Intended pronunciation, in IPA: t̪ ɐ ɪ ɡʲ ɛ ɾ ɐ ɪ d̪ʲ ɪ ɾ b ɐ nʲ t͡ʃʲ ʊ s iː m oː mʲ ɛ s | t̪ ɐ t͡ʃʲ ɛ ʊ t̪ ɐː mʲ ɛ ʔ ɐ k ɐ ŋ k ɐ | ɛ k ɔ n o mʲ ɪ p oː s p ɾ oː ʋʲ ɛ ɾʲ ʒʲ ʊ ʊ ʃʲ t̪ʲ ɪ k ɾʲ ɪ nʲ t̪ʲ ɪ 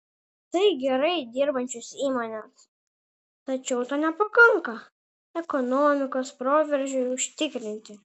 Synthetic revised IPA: t̪ ɐ ɪ ɡʲ ɛ ɾ ɐ ɪ d̪ʲ ɪ ɾ b ɐ nʲ t͡ʃʲ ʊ s iː m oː nʲ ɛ s | t̪ ɐ t͡ʃʲ ɛ ʊ t̪ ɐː nʲ ɛ p ɐ k ɐ ŋ k ɐ | ɛ k ɔ n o mʲ ɪ k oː s p ɾ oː ʋʲ ɛ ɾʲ ʒʲ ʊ ʊ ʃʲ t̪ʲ ɪ k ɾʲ ɪ nʲ t̪ʲ ɪ